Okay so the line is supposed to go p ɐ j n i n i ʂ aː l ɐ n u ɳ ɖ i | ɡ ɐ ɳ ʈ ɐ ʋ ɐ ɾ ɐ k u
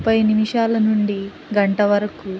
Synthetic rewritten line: p ɐ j n i m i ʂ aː l ɐ n u ɳ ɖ i | ɡ ɐ ɳ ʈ ɐ ʋ ɐ ɾ ɐ k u